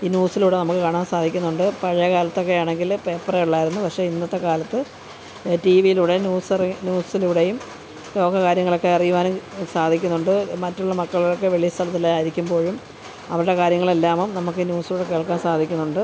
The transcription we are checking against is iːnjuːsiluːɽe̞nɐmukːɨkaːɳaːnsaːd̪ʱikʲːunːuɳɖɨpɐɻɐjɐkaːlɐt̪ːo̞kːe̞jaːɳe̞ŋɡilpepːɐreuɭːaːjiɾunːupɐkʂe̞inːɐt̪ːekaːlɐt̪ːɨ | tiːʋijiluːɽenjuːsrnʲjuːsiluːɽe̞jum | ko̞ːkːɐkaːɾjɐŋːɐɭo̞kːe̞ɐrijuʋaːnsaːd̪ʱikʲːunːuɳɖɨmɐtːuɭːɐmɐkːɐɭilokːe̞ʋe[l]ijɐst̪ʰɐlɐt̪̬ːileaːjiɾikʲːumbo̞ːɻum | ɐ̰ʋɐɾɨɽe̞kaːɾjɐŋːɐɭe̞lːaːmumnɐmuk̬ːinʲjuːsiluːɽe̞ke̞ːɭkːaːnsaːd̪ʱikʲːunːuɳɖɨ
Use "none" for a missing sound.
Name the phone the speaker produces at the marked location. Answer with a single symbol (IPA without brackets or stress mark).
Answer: ɭ